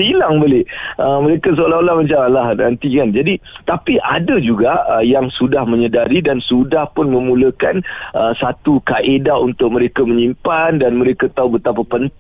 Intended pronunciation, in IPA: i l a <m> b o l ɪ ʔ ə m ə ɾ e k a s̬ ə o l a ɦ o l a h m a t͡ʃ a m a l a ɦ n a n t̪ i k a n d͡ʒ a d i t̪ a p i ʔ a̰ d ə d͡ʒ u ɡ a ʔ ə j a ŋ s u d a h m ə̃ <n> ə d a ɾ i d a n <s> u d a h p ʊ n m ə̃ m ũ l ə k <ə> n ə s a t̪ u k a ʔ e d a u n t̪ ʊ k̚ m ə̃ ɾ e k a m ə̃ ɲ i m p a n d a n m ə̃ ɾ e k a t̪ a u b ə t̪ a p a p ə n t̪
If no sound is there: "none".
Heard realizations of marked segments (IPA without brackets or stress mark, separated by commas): ŋ, ɲ, s, a